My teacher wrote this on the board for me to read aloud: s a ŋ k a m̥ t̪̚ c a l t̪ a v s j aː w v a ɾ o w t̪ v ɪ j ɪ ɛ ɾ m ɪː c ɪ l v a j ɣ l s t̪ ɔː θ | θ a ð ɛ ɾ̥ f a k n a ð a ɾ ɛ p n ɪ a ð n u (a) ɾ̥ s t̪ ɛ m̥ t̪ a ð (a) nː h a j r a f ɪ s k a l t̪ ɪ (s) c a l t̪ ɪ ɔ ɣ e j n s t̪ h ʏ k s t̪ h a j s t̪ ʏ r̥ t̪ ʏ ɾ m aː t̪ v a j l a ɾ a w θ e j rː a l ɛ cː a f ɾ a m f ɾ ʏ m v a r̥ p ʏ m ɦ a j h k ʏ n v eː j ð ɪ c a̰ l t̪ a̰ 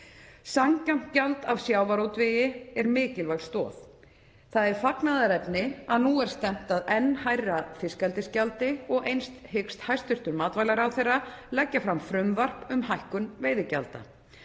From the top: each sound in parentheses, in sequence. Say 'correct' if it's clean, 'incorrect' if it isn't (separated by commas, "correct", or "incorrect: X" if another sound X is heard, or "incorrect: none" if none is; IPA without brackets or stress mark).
incorrect: ɛ, incorrect: ɛ, correct